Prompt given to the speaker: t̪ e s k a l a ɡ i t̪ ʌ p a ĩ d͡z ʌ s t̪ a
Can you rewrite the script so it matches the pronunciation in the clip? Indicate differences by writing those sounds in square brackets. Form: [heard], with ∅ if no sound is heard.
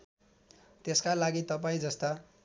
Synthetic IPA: t̪ e s k a l a ɡ i t̪ ʌ p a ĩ d͡z ʌ s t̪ a